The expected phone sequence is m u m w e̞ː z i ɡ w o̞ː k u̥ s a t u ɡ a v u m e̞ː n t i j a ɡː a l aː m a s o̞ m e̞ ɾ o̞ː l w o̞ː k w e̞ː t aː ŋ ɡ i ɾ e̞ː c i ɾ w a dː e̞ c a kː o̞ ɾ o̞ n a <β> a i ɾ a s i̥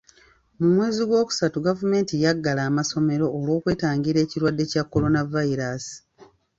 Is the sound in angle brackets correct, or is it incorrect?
incorrect